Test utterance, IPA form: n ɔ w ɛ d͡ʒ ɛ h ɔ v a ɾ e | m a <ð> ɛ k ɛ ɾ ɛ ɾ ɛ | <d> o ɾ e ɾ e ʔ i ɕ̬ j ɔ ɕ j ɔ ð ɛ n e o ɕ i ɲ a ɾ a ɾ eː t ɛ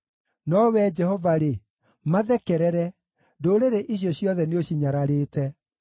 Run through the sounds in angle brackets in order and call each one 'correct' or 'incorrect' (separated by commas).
correct, correct